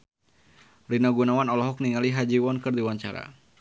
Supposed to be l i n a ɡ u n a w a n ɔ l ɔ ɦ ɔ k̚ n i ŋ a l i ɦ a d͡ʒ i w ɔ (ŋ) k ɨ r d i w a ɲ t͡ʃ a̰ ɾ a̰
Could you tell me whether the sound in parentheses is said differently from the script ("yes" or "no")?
yes